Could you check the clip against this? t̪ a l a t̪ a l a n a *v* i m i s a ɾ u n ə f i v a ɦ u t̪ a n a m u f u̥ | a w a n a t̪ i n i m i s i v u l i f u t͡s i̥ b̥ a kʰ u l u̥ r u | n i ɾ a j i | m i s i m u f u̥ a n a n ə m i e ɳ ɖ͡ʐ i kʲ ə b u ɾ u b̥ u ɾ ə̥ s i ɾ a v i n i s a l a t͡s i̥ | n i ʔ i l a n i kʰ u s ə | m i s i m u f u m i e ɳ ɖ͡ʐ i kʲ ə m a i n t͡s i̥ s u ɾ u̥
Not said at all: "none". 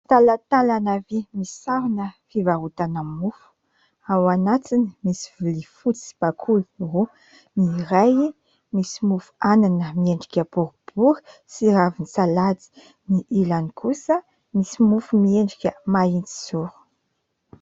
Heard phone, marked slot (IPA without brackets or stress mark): v